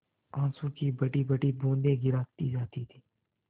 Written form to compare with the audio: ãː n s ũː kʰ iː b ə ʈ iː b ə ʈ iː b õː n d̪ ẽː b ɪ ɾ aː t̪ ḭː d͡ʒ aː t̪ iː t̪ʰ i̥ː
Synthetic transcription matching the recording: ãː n s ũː k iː b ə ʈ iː b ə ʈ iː b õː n d̪ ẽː ɡ ɪ ɾ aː t̪ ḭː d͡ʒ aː t̪ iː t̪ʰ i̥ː